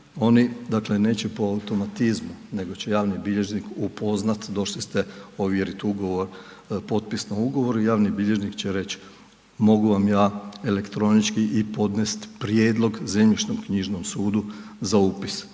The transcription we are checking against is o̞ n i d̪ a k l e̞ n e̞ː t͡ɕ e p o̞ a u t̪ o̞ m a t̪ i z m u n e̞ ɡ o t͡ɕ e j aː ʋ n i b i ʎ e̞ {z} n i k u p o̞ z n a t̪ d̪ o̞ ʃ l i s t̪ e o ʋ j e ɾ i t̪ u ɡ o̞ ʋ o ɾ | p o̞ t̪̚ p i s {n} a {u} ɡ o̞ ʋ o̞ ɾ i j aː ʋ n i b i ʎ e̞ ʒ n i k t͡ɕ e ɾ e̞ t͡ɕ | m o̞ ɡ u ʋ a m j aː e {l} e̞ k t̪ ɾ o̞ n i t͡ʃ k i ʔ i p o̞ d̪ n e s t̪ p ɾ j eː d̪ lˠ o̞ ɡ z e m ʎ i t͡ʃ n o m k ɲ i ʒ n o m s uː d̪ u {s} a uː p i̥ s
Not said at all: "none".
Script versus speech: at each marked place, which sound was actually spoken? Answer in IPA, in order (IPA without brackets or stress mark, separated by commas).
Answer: ʒ, n, u, l, z